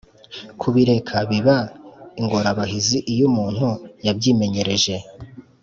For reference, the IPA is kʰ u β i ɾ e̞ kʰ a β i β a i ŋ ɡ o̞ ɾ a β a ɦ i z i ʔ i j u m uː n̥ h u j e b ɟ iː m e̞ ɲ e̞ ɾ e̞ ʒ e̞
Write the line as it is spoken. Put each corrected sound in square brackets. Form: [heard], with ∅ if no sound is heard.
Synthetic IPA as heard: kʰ u β i ɾ e̞ kʰ a β i β a i ŋ ɡ o̞ ɾ a β a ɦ i z i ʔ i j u m uː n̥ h u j [a] b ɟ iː m e̞ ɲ e̞ ɾ e̞ ʒ e̞